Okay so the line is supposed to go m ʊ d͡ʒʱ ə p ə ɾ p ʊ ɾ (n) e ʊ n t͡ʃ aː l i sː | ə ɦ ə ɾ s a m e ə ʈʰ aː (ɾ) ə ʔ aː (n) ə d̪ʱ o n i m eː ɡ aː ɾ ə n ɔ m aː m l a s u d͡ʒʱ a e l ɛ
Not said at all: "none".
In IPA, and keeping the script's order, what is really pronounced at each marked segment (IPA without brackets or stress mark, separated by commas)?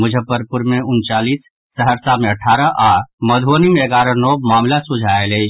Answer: m, ɾ, m